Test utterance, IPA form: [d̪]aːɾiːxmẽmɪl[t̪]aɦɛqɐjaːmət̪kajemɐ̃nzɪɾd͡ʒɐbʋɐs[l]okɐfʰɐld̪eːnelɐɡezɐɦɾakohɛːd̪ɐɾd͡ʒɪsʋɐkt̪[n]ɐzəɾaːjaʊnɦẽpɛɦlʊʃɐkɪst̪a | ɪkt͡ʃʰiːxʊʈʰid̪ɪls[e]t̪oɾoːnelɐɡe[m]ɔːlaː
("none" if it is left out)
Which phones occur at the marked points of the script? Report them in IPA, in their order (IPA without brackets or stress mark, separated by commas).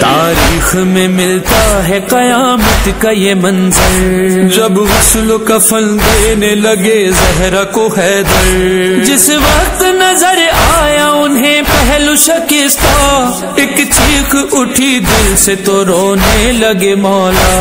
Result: t̪, t̪, l, n, e, m